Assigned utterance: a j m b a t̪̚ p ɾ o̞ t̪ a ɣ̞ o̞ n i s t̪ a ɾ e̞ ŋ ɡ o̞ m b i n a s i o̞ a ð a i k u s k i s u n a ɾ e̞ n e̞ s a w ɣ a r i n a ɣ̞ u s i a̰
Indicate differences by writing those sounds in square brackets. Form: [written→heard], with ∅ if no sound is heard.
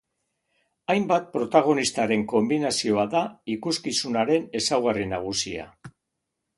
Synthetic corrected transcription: a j m b a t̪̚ p ɾ o̞ t̪ a ɣ̞ o̞ n i s t̪ a ɾ e̞ ŋ [ɡ→k] o̞ m b i n a s i o̞ a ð a i k u s k i s u n a ɾ e̞ n e̞ s a w ɣ a r i n a ɣ̞ u s i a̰

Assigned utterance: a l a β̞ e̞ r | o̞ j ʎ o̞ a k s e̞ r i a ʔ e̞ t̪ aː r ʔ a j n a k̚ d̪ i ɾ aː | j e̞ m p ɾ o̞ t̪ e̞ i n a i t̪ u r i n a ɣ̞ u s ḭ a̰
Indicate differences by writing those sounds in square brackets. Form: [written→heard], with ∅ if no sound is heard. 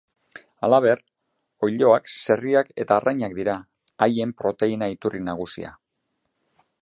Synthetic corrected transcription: a l a β̞ e̞ r | o̞ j ʎ o̞ a k s e̞ r i a [ʔ→k] e̞ t̪ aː r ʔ a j [n→ɲ] a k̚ d̪ i ɾ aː | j e̞ m p ɾ o̞ t̪ e̞ i n a i t̪ u r i n a ɣ̞ u s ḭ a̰

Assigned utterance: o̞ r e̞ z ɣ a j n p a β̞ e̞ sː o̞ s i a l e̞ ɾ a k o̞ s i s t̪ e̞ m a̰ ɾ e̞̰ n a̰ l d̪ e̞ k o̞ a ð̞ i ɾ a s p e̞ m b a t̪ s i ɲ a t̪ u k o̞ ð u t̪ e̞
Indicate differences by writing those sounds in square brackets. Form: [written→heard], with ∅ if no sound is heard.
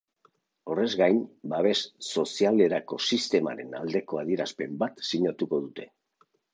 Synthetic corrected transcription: o̞ r e̞ z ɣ a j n [p→b] a β̞ e̞ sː o̞ s i a l e̞ ɾ a k o̞ s i s t̪ e̞ m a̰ ɾ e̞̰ n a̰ l d̪ e̞ k o̞ a ð̞ i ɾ a s p e̞ m b a t̪ s i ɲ a t̪ u k o̞ ð u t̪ e̞

